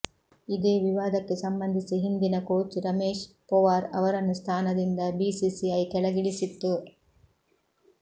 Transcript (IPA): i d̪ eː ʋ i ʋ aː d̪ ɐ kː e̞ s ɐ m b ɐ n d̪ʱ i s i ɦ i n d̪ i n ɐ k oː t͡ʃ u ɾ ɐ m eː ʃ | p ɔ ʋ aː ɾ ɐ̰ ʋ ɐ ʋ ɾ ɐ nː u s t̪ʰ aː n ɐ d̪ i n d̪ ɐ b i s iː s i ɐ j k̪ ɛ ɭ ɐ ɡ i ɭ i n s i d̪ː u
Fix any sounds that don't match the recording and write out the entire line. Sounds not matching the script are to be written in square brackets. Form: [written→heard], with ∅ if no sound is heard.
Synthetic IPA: i d̪ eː ʋ i ʋ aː d̪ ɐ kː e̞ s ɐ m b ɐ n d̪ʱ i s i ɦ i n d̪ i n ɐ k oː t͡ʃ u ɾ ɐ m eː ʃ | p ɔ ʋ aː ɾ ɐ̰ ʋ ɐ [ʋ→∅] ɾ ɐ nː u s t̪ʰ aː n ɐ d̪ i n d̪ ɐ b i s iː s i ɐ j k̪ ɛ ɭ ɐ ɡ i ɭ i [n→∅] s i [d̪ː→t̪ː] u